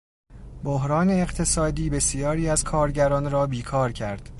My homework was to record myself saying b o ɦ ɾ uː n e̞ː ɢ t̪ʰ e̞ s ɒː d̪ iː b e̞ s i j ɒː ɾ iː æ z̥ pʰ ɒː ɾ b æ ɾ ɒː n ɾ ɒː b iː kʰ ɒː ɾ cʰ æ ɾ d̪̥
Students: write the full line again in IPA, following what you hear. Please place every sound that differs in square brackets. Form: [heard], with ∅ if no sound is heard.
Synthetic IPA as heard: b o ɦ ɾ [ɒː] n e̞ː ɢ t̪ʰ e̞ s ɒː d̪ iː b e̞ s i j ɒː ɾ iː æ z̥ [kʰ] ɒː ɾ [ɟ] æ ɾ ɒː n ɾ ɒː b iː kʰ ɒː ɾ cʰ æ ɾ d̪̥